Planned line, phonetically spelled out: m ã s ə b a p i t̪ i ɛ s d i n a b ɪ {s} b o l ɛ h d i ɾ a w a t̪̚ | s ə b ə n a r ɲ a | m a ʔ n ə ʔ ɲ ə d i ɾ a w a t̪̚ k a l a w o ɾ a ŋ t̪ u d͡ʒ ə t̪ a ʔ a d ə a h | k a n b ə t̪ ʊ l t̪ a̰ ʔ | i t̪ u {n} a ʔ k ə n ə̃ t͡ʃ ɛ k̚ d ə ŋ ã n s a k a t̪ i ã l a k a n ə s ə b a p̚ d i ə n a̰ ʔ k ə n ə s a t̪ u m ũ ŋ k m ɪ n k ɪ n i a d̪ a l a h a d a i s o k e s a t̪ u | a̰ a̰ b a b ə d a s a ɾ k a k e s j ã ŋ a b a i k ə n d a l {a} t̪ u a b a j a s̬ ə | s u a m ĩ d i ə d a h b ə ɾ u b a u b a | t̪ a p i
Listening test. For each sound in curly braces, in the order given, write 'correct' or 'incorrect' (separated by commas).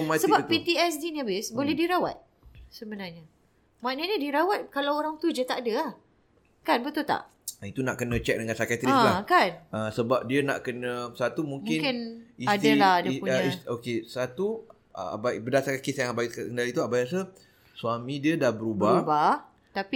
correct, correct, incorrect